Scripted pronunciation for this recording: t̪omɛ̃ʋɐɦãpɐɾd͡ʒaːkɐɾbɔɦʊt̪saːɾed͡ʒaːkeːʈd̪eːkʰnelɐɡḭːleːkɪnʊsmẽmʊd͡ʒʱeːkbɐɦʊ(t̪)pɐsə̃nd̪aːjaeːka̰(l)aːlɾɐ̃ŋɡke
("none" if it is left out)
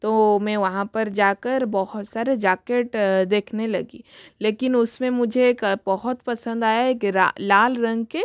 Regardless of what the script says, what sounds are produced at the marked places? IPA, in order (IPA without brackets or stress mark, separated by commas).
t̪, l